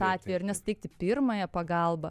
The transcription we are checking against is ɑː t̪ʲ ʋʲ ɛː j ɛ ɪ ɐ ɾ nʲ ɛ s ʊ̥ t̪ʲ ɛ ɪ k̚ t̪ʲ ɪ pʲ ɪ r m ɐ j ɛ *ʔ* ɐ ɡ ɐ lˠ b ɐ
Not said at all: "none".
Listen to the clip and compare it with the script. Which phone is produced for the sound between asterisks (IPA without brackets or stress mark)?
p